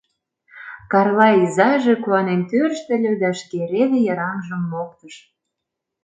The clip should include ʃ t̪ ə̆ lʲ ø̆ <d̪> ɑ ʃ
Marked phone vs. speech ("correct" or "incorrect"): correct